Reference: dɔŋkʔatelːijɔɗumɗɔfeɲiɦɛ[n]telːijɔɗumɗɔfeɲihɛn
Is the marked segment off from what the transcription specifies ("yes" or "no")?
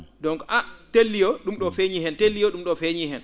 no